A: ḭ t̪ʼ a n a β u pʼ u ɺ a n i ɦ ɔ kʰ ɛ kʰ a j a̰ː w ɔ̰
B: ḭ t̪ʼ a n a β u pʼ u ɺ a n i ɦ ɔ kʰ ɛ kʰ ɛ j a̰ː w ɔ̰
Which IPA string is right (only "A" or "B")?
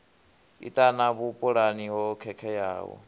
B